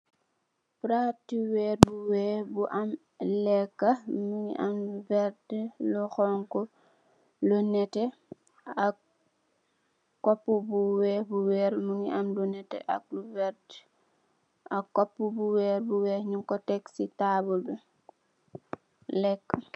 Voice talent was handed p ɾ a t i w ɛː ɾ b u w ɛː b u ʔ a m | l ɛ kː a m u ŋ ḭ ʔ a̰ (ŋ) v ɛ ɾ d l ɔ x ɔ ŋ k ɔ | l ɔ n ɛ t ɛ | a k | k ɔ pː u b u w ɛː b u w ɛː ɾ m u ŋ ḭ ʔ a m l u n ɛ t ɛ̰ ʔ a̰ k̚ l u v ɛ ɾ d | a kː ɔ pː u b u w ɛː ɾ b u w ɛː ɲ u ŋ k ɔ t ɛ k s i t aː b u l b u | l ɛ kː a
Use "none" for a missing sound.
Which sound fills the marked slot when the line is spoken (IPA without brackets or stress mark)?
m